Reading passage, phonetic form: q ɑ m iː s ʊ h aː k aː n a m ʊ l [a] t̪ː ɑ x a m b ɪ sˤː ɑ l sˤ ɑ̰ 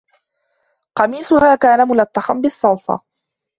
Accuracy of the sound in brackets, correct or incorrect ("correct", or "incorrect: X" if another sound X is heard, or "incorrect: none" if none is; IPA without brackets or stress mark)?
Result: correct